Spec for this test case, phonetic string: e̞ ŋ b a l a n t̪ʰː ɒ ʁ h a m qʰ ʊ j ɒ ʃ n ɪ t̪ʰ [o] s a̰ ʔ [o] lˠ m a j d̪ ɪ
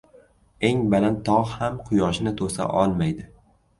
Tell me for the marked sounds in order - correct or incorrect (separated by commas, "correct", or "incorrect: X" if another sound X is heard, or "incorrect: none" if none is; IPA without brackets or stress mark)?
correct, incorrect: ɒ